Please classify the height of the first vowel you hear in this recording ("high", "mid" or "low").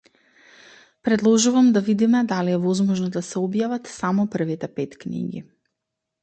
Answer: mid